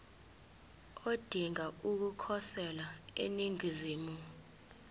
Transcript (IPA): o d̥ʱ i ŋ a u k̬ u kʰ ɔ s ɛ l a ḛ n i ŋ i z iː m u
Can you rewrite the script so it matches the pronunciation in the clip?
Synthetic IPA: o d̥ʱ i ŋ a u k̬ u kʰ ɔ s ɛ l a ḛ n i ŋ i z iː m u